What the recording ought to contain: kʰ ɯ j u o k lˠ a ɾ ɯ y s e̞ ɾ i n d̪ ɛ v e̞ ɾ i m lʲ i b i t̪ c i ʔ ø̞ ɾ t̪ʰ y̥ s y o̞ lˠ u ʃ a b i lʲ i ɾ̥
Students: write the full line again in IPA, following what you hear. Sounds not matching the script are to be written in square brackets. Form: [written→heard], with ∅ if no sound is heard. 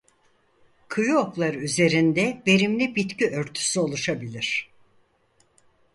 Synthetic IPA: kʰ ɯ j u o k lˠ a ɾ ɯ y [s→z] e̞ ɾ i n d̪ ɛ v e̞ ɾ i m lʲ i b i t̪ c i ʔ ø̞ ɾ t̪ʰ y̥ s y o̞ lˠ u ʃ a b i lʲ i ɾ̥